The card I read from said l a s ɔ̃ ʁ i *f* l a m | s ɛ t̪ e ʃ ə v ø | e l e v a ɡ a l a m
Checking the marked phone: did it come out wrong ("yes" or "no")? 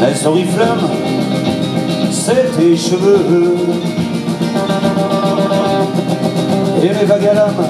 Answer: no